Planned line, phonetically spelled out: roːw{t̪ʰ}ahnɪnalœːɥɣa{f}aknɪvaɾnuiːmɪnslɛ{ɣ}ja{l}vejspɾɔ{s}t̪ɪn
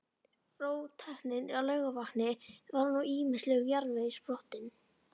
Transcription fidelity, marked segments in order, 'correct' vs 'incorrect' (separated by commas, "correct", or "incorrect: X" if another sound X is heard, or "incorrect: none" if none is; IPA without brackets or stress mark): correct, incorrect: v, correct, incorrect: ɾ, incorrect: h